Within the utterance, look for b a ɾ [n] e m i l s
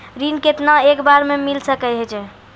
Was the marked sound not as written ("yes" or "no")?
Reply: yes